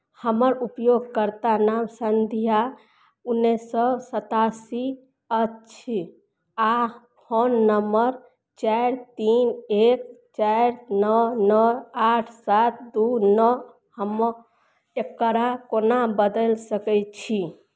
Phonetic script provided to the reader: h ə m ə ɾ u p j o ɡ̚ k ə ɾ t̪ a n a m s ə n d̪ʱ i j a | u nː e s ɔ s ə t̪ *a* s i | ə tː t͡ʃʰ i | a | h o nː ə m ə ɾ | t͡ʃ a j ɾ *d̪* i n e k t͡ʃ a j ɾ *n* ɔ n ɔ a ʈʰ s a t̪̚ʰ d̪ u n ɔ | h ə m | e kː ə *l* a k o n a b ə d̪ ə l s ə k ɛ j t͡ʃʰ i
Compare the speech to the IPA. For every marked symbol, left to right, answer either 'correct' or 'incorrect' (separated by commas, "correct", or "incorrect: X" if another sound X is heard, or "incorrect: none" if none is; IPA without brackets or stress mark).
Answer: correct, incorrect: t̪, correct, incorrect: ɾ